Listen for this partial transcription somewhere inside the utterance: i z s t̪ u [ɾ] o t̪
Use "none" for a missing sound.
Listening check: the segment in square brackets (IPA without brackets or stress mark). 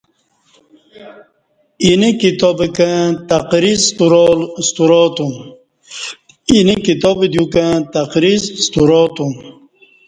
ɾ